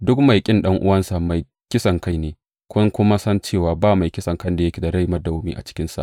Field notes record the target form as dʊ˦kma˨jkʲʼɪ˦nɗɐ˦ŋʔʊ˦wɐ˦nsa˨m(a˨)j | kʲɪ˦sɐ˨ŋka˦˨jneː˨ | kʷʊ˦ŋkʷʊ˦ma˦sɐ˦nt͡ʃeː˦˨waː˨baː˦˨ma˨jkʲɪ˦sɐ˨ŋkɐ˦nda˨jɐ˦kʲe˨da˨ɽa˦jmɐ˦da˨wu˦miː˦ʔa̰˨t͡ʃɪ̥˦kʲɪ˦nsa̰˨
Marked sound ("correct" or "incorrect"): correct